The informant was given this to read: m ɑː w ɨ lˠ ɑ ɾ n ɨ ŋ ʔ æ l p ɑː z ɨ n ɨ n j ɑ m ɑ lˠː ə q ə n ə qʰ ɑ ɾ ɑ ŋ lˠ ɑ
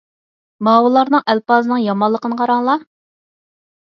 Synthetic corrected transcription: m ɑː w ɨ lˠ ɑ ɾ n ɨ ŋ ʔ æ l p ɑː z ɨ n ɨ ŋ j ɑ m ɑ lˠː ə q ə n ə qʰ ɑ ɾ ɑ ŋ lˠ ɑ

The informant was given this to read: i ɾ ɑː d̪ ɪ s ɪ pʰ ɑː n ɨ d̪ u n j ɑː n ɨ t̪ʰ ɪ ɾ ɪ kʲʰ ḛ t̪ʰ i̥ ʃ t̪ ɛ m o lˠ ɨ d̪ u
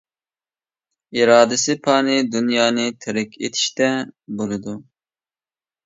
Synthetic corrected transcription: i ɾ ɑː d̪ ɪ s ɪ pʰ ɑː n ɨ d̪ u n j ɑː n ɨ t̪ʰ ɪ ɾ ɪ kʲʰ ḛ t̪ʰ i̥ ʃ t̪ ɛ b o lˠ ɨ d̪ u

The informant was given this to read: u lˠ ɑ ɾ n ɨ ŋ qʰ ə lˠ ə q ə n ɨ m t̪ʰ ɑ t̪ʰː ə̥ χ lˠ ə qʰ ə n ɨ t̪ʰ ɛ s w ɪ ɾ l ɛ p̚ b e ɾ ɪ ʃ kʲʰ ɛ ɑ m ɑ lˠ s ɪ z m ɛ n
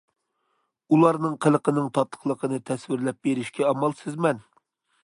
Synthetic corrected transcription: u lˠ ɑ ɾ n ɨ ŋ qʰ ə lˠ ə q ə n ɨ ŋ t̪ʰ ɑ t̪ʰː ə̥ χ lˠ ə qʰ ə n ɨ t̪ʰ ɛ s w ɪ ɾ l ɛ p̚ b e ɾ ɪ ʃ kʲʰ ɛ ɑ m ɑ lˠ s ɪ z m ɛ n

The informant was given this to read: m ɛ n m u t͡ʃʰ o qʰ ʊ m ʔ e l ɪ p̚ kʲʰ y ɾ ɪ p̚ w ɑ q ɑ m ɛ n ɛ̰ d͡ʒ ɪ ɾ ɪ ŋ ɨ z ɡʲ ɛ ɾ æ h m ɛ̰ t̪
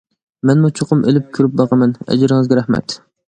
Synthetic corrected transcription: m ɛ n m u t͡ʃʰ o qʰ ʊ m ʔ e l ɪ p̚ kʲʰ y ɾ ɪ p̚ b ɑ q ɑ m ɛ n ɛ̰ d͡ʒ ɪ ɾ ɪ ŋ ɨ z ɡʲ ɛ ɾ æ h m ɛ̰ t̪

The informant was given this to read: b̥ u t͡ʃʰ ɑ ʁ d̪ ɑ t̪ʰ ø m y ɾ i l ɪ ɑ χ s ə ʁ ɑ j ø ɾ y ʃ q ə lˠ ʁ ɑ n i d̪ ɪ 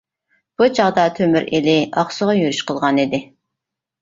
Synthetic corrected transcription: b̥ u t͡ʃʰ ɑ ʁ d̪ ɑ t̪ʰ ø m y ɾ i l ɪ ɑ χ s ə ʁ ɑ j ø ɾ y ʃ q ə lˠ ʁ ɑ n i d̪ ɪ

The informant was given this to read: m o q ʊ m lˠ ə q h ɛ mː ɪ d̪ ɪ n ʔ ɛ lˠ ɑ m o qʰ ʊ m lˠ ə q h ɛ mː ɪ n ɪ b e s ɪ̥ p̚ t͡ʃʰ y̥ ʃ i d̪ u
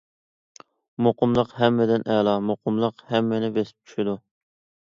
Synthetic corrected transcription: m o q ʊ m lˠ ə q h ɛ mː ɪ d̪ ɪ n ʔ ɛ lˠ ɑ m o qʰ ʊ m lˠ ə q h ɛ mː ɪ n ɪ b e s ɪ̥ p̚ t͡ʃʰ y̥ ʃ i d̪ u

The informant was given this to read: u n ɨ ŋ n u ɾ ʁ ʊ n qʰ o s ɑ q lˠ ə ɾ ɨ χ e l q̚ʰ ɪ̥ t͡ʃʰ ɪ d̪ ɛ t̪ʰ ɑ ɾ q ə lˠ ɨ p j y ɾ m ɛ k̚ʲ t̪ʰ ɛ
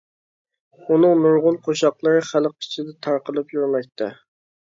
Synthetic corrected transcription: u n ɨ ŋ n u ɾ ʁ ʊ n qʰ o ʃ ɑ q lˠ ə ɾ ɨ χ æ l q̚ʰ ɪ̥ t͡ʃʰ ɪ d̪ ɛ t̪ʰ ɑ ɾ q ə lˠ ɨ p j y ɾ m ɛ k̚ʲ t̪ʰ ɛ

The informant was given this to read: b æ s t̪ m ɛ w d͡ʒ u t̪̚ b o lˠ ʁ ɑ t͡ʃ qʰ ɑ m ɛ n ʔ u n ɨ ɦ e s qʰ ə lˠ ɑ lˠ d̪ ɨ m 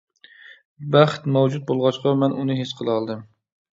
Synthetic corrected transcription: b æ χ t̪ m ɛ w d͡ʒ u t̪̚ b o lˠ ʁ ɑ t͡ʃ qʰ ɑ m ɛ n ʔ u n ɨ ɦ e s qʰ ə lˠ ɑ lˠ d̪ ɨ m

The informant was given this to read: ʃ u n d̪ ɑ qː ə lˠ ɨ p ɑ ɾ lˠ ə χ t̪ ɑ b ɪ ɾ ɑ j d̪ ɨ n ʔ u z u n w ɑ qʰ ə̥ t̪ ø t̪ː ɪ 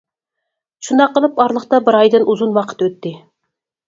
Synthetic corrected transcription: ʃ u n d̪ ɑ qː ə lˠ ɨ p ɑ ɾ lˠ ə χ t̪ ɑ b ɪ ɾ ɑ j d̪ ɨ n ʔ u z u n w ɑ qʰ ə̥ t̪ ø t̪ː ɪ

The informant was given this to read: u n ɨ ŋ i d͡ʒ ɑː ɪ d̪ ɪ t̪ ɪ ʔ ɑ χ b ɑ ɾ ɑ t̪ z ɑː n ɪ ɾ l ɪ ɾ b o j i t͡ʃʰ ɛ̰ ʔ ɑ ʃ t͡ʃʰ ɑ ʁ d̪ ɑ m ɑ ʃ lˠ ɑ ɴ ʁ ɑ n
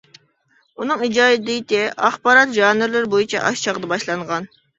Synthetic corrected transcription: u n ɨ ŋ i d͡ʒ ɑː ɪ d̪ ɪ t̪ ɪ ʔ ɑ χ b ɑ ɾ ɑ t̪ ʒ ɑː n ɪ ɾ l ɪ ɾ b o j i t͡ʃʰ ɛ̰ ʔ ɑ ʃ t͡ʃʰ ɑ ʁ d̪ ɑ b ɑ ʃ lˠ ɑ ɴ ʁ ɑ n

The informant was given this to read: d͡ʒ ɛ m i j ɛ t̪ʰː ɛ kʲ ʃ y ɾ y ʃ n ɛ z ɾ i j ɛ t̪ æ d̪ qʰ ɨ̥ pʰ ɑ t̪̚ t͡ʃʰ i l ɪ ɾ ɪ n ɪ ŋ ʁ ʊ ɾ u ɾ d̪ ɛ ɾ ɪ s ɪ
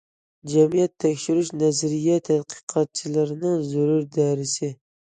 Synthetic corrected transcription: d͡ʒ ɛ m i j ɛ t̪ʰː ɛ kʲ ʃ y ɾ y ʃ n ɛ z ɾ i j ɛ t̪ʰ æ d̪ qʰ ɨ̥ qʰ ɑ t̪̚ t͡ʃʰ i l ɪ ɾ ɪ n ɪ ŋ z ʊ ɾ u ɾ d̪ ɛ ɾ ɪ s ɪ

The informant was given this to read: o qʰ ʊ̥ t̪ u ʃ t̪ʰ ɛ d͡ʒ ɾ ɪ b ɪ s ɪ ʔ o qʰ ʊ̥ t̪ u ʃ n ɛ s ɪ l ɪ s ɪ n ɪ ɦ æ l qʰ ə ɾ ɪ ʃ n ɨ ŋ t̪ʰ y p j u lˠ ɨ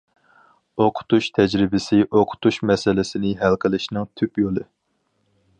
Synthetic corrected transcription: o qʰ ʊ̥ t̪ u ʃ t̪ʰ ɛ d͡ʒ ɾ ɪ b ɪ s ɪ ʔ o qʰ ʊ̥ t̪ u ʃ m ɛ s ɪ l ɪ s ɪ n ɪ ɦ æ l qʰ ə l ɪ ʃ n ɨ ŋ t̪ʰ y p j o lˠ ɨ

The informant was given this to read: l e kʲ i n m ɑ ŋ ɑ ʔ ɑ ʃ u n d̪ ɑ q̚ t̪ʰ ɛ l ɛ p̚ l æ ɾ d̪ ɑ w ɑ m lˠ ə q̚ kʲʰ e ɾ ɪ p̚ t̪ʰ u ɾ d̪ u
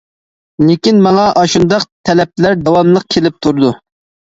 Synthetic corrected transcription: l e kʲ i n m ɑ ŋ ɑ ʔ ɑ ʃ u n d̪ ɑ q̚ t̪ʰ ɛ l ɛ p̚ l æ ɾ d̪ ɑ w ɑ m lˠ ə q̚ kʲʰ e l ɪ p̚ t̪ʰ u ɾ d̪ u

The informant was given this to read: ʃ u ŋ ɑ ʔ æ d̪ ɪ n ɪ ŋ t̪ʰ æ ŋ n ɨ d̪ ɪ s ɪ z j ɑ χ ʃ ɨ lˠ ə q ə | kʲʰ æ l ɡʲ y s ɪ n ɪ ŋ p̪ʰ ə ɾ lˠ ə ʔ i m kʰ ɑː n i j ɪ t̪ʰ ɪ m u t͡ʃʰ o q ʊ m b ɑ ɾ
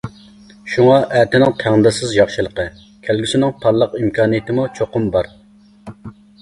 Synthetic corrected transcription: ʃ u ŋ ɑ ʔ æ t̪ ɪ n ɪ ŋ t̪ʰ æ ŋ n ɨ d̪ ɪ s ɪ z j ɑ χ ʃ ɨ lˠ ə q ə | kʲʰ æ l ɡʲ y s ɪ n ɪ ŋ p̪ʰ ɑ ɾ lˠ ə q i m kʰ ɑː n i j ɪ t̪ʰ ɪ m u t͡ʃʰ o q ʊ m b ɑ ɾ

